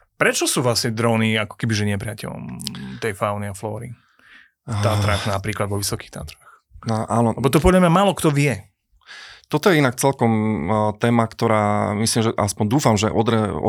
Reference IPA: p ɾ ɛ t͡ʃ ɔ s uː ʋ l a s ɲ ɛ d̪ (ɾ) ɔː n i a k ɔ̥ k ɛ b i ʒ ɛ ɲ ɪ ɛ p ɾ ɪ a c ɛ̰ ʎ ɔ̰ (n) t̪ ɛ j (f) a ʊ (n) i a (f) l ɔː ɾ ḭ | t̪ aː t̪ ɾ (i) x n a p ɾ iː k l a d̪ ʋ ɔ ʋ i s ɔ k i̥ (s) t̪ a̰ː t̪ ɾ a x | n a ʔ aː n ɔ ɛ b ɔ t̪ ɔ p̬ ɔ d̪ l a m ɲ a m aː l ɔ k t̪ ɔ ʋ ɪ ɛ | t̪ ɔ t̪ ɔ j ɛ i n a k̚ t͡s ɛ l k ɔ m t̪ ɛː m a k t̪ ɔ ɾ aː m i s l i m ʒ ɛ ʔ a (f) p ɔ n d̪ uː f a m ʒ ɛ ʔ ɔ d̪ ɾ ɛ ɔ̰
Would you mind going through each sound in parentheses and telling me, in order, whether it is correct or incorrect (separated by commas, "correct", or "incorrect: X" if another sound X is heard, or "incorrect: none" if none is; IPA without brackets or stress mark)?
correct, incorrect: m, correct, correct, correct, incorrect: a, incorrect: x, incorrect: s